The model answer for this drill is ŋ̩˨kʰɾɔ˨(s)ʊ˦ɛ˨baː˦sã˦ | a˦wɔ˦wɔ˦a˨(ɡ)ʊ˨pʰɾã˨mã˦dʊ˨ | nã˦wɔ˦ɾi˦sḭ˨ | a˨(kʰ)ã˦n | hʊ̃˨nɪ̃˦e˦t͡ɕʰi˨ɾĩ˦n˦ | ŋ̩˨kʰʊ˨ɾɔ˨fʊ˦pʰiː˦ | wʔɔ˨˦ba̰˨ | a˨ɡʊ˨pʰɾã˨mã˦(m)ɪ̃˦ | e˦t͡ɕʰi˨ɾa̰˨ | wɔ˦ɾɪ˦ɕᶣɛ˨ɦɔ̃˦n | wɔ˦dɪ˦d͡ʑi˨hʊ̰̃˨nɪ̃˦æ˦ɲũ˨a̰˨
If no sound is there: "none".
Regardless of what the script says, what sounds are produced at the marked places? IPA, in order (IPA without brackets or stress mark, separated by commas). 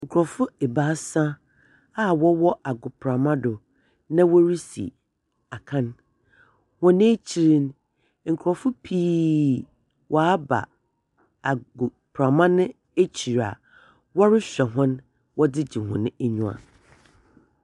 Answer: f, ɡ, kʰ, n